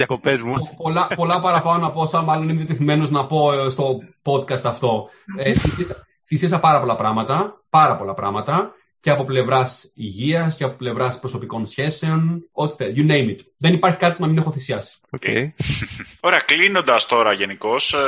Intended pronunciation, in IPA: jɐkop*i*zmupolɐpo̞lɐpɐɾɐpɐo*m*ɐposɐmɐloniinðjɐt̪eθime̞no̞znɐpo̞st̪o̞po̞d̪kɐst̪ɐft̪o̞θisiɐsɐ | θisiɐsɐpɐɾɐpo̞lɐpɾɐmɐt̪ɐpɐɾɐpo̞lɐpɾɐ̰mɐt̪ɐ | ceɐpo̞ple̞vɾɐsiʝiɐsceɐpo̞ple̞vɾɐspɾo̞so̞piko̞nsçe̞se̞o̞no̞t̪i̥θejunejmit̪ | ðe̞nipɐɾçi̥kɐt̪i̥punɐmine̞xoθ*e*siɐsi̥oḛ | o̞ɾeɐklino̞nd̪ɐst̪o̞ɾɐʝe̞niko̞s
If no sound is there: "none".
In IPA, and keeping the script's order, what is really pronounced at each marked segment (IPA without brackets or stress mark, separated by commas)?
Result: e, n, i